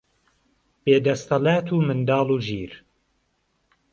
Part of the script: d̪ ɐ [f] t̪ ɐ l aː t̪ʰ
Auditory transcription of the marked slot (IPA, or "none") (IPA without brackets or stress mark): s